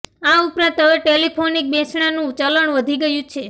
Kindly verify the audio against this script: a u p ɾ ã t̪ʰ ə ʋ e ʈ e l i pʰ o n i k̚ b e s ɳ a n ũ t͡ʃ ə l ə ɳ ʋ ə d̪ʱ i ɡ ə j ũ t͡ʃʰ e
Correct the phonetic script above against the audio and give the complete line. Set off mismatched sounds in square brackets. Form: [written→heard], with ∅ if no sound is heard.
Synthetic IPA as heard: a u p ɾ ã [t̪ʰ→t̪] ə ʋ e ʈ e l i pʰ o n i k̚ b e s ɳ a n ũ t͡ʃ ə l ə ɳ ʋ ə d̪ʱ i ɡ ə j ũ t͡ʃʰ e